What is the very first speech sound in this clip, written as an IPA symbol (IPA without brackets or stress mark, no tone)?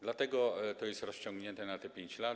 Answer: d̪